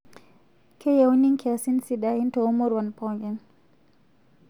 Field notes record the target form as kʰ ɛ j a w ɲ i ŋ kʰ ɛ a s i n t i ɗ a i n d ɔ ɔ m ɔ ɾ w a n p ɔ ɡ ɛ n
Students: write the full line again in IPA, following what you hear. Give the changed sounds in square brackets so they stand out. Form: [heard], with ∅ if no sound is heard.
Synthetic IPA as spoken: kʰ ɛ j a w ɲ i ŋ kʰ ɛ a s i n [s] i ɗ a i n [t] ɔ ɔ m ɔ ɾ w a n p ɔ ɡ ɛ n

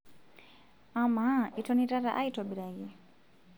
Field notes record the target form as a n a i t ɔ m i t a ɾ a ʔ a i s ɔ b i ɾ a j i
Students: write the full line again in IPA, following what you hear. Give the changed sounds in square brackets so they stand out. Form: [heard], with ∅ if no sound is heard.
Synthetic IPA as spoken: a [m] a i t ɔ [n] i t a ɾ a ʔ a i [t] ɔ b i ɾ a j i

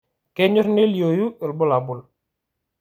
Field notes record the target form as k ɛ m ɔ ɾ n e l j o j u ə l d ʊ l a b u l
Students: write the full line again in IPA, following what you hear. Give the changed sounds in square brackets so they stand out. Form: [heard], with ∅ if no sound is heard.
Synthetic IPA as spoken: k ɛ [ɲ] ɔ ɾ n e l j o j u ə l [b] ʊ l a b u l

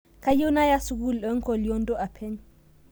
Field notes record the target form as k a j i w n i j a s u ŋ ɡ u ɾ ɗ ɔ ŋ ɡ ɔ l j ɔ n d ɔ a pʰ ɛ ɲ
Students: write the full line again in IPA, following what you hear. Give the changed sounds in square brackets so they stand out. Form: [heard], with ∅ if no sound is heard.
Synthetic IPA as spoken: k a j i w n [a] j a s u [∅] ɡ u [l] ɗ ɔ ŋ [k] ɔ l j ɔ n d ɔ a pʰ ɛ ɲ

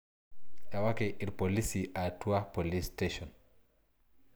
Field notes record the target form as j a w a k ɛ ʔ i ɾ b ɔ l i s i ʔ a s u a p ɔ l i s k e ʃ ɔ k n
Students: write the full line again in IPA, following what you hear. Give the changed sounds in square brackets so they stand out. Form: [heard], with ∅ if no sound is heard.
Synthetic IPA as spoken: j a w a k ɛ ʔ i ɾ [p] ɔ l i s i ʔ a [t] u a p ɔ l i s [t] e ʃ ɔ [∅] n

